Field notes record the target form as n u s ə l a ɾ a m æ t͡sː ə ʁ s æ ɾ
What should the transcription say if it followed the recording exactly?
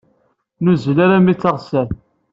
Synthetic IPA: n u z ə l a ɾ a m i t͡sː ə ʁ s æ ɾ